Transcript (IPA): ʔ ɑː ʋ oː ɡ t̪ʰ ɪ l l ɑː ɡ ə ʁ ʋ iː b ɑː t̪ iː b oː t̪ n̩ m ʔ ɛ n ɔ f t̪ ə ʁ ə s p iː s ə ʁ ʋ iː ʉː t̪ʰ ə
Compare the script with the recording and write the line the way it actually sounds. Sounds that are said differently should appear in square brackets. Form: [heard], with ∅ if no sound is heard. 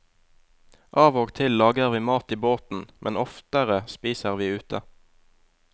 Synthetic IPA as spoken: ʔ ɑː ʋ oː ɡ t̪ʰ ɪ l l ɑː ɡ ə ʁ ʋ iː [m] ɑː t̪ iː b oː t̪ n̩ m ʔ ɛ n ɔ f t̪ ə ʁ ə s p iː s ə ʁ ʋ iː ʉː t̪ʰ ə